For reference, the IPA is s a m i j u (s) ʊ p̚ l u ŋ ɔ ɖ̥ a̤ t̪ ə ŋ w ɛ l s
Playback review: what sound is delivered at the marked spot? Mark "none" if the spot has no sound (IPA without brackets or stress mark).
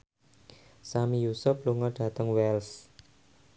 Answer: s